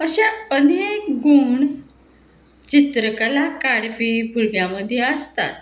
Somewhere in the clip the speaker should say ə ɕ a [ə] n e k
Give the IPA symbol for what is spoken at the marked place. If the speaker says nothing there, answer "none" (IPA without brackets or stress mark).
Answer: ə